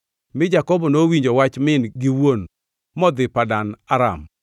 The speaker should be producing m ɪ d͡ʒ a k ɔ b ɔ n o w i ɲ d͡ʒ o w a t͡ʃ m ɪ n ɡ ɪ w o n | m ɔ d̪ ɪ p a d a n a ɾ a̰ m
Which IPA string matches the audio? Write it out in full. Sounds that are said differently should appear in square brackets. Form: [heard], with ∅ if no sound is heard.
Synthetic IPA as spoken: m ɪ d͡ʒ a k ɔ b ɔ n o w i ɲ d͡ʒ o w a t͡ʃ m ɪ n ɡ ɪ w o n | m ɔ d̪ ɪ p a d a n a ɾ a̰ m